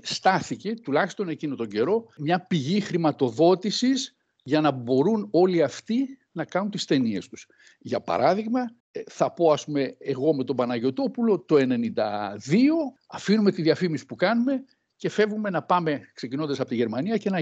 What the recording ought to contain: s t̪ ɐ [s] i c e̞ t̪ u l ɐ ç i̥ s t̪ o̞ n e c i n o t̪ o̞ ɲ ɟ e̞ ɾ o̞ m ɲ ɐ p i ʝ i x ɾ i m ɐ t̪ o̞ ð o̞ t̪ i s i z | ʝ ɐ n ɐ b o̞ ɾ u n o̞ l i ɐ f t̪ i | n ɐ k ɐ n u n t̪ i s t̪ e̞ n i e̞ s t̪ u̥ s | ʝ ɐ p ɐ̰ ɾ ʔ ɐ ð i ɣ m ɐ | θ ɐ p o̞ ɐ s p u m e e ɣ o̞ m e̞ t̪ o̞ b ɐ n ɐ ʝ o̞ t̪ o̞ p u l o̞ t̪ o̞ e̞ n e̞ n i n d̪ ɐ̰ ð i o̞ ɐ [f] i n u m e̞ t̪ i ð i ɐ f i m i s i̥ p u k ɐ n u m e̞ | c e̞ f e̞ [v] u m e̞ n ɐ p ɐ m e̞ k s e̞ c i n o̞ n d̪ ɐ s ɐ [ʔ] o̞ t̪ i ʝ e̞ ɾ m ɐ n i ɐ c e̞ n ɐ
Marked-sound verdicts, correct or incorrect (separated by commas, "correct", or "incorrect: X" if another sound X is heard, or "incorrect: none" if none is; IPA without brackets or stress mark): incorrect: θ, correct, correct, incorrect: p